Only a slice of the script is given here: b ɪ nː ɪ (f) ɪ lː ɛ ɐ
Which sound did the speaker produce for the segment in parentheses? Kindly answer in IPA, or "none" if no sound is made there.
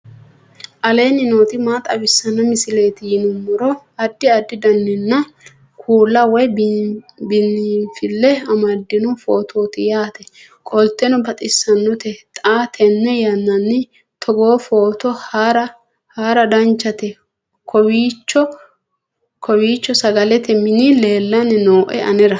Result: f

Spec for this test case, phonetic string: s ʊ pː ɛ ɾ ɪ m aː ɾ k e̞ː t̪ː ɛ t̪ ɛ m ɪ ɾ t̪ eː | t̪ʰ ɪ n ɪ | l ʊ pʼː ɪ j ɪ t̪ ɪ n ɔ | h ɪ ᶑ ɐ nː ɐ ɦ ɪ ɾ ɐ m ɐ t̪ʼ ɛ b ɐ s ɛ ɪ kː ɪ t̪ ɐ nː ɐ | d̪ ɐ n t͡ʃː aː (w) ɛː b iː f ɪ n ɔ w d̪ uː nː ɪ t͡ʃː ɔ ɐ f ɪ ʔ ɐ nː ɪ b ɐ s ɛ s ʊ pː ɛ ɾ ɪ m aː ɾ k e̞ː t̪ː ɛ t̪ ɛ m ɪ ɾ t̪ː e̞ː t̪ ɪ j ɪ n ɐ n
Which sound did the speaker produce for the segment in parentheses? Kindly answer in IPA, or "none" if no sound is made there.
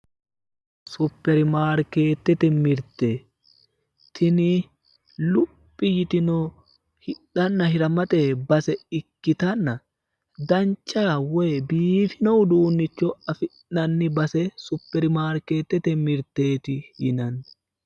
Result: w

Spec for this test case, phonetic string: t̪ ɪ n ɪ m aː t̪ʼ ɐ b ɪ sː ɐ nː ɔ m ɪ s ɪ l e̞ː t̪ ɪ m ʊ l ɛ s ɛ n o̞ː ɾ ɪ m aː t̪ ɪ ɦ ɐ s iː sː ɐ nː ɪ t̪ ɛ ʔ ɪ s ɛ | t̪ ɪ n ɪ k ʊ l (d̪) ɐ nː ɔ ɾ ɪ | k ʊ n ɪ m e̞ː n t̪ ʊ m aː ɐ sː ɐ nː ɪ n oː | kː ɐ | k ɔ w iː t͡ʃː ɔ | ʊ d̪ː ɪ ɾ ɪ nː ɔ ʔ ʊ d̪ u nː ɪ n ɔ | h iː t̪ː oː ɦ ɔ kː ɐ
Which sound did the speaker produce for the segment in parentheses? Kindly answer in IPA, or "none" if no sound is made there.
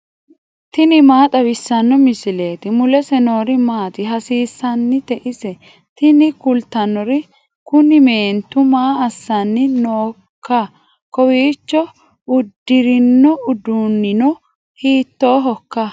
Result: t̪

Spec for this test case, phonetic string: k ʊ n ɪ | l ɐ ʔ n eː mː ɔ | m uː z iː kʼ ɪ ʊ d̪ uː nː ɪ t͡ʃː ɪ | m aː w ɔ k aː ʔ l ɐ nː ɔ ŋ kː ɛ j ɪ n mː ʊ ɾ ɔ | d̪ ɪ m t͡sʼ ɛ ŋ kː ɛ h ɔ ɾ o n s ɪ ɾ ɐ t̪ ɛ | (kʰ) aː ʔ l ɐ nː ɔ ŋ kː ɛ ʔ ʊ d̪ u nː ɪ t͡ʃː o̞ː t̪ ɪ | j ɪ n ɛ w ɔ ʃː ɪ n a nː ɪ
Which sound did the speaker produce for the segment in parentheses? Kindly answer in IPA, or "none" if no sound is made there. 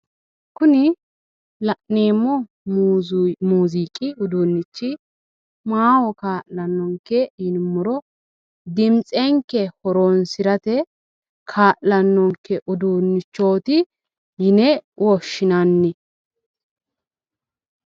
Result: kʰ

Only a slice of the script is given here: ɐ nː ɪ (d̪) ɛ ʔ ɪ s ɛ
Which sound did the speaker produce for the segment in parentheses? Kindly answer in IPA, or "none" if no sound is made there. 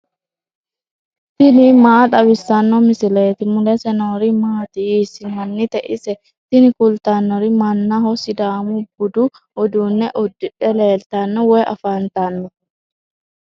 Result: t̪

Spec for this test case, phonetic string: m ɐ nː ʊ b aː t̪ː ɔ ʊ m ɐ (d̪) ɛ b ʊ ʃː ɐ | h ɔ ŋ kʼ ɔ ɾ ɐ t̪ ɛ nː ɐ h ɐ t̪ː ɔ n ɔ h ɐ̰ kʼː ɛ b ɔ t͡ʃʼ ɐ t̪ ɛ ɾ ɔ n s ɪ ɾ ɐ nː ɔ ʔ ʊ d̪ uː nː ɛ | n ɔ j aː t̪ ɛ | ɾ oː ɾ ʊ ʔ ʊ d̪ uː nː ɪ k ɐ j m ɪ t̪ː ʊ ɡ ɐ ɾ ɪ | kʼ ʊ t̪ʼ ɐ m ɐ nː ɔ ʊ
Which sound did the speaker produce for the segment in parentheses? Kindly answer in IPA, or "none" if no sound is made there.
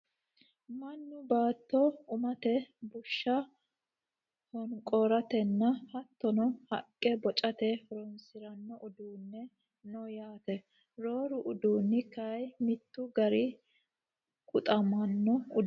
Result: t̪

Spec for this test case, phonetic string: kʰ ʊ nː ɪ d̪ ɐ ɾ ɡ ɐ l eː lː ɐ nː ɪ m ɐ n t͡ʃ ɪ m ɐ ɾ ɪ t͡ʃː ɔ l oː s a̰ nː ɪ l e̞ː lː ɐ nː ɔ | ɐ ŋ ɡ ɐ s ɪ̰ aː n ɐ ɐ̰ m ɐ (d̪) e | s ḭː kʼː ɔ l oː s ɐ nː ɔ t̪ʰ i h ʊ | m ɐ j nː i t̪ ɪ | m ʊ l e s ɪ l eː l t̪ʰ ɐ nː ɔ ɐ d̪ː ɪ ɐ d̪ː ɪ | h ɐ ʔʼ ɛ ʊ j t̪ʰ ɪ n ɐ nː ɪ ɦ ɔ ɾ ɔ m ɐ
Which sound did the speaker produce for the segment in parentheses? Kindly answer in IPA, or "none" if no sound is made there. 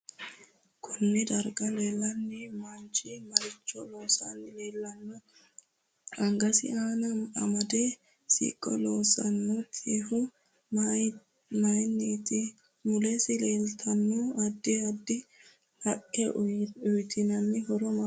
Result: d̪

